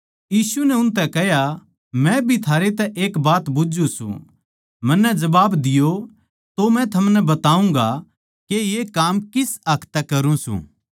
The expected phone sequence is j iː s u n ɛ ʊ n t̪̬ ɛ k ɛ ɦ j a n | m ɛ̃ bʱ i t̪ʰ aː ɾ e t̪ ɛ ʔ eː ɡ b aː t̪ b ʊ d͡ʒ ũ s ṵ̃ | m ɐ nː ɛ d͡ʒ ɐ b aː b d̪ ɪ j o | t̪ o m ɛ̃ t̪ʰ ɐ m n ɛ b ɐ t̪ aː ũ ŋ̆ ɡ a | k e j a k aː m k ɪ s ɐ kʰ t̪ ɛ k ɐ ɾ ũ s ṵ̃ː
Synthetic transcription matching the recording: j iː s u n ɛ ʊ n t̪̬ ɛ k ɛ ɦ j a | m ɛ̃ bʱ i t̪ʰ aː ɾ e t̪ ɛ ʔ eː k b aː t̪ b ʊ d͡ʒ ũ s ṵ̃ | m ɐ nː ɛ d͡ʒ ɐ b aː b d̪ ɪ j o | t̪ o m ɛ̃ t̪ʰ ɐ m n ɛ b ɐ t̪ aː ũ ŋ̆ ɡ a | k e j e k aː m k ɪ s ɐ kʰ t̪ ɛ k ɐ ɾ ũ s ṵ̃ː